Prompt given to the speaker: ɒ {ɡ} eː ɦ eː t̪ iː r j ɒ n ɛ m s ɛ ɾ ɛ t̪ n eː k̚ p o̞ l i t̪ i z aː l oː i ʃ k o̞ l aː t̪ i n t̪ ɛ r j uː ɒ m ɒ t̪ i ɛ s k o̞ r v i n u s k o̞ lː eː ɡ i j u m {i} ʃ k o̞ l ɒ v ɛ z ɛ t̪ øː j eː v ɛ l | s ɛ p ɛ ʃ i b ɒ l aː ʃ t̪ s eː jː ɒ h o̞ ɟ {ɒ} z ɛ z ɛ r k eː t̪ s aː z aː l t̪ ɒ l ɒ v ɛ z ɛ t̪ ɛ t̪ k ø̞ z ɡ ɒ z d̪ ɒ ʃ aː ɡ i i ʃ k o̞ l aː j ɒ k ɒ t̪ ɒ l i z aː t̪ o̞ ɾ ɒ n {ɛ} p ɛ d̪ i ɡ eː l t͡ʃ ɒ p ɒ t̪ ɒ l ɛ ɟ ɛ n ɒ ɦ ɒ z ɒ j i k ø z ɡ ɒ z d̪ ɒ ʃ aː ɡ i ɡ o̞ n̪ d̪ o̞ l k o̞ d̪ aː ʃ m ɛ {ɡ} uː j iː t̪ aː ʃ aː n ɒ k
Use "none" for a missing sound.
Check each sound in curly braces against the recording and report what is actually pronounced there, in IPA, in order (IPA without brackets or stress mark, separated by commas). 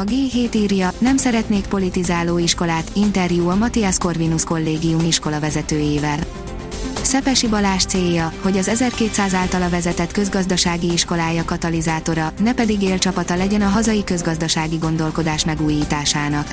ɡ, i, ɒ, ɛ, ɡ